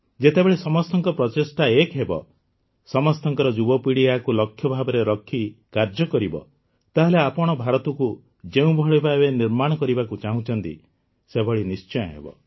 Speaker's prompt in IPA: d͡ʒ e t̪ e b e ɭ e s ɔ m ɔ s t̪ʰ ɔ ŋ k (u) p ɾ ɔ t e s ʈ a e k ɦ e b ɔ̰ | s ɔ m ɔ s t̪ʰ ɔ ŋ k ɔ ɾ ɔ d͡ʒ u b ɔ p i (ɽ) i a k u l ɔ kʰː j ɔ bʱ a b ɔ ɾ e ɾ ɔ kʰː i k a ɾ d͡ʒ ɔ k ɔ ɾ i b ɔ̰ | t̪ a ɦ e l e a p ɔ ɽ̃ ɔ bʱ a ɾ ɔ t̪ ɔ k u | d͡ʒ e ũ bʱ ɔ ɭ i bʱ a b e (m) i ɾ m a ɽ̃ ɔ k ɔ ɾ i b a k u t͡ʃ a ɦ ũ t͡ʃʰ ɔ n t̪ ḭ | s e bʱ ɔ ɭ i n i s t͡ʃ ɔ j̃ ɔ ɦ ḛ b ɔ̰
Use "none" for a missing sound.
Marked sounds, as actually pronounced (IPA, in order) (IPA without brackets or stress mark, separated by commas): ɔ, ɽ, n